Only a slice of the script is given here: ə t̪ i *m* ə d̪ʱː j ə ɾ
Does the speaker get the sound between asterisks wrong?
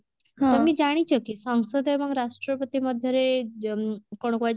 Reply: no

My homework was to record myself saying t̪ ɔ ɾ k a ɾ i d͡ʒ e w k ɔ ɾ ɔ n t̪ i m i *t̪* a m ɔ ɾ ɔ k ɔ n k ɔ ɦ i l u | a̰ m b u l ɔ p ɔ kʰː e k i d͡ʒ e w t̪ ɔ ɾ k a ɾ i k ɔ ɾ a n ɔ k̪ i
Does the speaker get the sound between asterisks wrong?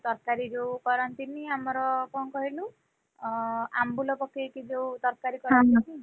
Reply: yes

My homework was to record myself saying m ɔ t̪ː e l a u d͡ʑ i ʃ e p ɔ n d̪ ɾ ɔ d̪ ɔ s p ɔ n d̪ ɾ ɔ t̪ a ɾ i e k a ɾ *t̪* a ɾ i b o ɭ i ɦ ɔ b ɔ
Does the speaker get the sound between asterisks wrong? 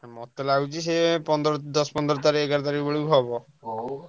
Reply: no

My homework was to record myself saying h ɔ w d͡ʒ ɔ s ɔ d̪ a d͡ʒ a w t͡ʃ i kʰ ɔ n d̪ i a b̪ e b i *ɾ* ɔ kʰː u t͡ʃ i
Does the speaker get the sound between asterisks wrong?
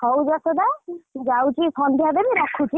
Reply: no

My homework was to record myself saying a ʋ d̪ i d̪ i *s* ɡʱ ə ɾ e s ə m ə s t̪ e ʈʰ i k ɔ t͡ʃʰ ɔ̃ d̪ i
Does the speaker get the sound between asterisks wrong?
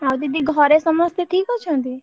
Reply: yes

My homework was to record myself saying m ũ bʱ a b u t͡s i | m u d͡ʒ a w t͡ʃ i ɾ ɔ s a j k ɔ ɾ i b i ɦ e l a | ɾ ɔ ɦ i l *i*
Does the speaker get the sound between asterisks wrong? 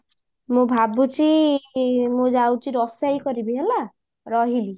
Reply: no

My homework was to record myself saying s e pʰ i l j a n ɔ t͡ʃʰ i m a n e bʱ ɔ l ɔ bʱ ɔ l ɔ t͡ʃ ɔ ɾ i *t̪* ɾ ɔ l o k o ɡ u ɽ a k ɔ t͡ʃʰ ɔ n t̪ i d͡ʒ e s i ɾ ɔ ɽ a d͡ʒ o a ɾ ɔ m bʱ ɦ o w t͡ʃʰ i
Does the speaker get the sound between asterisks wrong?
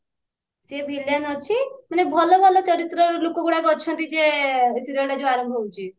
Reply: no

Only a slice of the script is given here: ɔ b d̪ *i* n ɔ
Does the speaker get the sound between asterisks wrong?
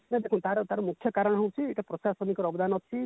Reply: yes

